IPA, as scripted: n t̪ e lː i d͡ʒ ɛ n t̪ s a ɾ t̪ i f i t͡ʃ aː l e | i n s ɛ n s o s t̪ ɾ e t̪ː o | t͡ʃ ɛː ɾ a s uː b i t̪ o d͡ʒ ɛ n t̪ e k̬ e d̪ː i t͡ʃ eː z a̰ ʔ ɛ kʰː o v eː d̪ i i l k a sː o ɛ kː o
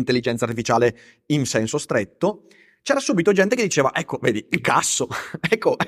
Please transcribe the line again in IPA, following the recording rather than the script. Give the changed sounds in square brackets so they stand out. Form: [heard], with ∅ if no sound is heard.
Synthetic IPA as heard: n t̪ e lː i d͡ʒ ɛ n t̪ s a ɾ t̪ i f i t͡ʃ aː l e | i n s ɛ n s o s t̪ ɾ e t̪ː o | t͡ʃ ɛː ɾ a s uː b i t̪ o d͡ʒ ɛ n t̪ e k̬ e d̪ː i t͡ʃ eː [v] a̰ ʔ ɛ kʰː o v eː d̪ i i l k a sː o ɛ kː o